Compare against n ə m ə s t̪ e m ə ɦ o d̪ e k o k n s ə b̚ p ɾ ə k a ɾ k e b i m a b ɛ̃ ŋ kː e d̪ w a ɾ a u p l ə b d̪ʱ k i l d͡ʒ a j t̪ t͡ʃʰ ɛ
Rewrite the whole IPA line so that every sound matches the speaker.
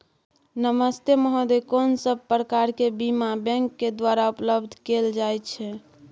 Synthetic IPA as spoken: n ə m ə s t̪ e m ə ɦ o d̪ e k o n s ə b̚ p ɾ ə k a ɾ k e b i m a b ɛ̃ ŋ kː e d̪ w a ɾ a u p l ə b d̪ʱ k e l d͡ʒ a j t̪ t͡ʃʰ ɛ